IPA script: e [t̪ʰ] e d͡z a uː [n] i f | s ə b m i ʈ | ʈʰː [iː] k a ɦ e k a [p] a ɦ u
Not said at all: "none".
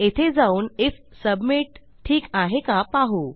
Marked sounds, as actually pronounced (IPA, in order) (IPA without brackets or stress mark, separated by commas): t̪ʰ, n, iː, p